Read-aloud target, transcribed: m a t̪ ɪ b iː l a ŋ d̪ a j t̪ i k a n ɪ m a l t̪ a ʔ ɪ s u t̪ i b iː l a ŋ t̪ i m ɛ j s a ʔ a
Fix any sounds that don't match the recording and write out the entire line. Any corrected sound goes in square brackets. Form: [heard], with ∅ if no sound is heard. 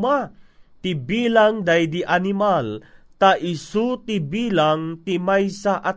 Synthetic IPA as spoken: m a t̪ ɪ b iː l a ŋ d̪ a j [d̪] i [ʔ] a n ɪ m a l t̪ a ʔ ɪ s u t̪ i b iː l a ŋ t̪ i m [a] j s a ʔ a